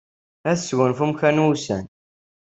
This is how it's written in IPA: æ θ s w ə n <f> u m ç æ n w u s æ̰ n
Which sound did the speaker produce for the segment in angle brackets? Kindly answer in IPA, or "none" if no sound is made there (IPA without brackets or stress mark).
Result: f